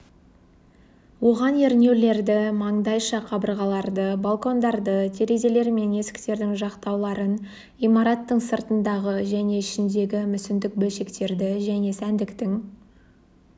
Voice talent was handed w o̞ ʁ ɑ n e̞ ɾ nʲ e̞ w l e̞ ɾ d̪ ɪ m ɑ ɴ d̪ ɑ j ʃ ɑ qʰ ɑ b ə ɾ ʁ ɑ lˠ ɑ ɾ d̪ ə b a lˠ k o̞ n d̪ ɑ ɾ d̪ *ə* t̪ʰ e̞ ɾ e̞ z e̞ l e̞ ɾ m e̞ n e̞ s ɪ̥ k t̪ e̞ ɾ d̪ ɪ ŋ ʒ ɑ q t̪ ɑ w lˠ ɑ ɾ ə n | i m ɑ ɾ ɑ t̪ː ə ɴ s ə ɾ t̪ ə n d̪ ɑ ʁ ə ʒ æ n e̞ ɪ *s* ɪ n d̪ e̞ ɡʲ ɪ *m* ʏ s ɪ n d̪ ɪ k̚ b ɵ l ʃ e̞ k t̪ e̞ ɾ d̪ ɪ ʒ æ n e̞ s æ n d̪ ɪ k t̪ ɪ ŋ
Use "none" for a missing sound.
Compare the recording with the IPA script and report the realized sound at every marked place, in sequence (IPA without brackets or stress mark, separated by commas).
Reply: ə, ʃ, m